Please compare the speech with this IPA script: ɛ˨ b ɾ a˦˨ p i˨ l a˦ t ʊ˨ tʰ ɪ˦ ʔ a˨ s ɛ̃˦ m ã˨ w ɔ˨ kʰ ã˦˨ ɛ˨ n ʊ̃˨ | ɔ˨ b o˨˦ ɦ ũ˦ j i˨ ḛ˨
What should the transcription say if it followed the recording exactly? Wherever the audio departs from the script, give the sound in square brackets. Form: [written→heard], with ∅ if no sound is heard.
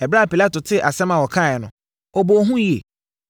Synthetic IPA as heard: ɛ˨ b ɾ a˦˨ p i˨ l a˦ t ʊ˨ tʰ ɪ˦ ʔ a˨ s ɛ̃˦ m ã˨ w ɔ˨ kʰ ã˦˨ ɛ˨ n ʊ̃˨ | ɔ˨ b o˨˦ ɦ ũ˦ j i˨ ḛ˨